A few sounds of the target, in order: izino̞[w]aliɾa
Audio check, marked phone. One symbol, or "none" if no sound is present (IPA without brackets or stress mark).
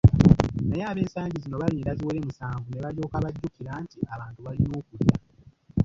β